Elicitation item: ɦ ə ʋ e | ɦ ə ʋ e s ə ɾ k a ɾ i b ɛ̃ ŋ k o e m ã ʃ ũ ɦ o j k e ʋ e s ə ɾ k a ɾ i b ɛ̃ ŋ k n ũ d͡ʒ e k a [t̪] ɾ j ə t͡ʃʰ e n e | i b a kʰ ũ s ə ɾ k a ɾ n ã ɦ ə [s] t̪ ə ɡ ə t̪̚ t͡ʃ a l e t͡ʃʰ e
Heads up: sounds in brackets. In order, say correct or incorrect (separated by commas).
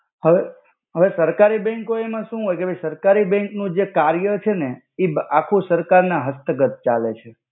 incorrect, correct